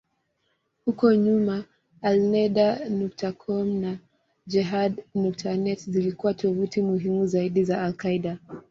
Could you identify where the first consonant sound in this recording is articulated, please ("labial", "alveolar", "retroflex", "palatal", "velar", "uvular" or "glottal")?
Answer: glottal